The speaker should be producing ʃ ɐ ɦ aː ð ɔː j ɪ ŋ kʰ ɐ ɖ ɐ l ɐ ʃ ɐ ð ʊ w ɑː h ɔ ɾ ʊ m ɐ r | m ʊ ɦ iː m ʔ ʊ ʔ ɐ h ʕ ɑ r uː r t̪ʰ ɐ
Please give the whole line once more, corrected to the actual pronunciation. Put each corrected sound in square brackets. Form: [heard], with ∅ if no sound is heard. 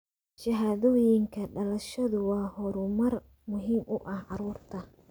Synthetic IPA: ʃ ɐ ɦ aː ð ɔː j ɪ ŋ kʰ ɐ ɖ ɐ l ɐ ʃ ɐ ð ʊ w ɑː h ɔ ɾ ʊ m ɐ r | m ʊ ɦ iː m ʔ ʊ ʔ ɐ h ʕ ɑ [ɾ] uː r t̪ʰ ɐ